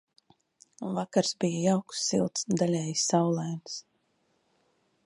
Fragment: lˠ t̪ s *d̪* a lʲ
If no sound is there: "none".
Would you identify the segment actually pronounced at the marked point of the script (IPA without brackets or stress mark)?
d̪